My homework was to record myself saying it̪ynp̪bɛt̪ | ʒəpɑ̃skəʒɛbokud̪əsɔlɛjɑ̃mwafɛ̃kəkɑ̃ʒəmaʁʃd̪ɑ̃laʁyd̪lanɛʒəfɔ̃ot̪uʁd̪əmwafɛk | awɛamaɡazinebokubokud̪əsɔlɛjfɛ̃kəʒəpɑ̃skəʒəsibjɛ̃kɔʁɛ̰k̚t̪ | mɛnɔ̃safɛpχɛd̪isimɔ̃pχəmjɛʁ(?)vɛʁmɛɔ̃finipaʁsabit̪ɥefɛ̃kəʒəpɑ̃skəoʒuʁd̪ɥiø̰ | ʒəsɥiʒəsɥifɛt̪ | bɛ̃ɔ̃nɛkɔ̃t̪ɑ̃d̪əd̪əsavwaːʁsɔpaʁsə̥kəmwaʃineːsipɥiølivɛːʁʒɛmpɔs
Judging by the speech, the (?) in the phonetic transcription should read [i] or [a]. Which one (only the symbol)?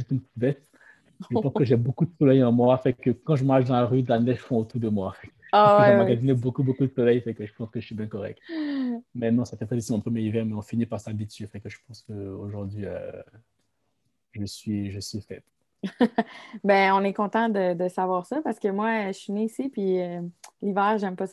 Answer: i